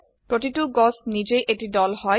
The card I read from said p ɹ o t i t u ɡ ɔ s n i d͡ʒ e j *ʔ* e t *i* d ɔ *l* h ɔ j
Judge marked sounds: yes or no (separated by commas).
yes, yes, yes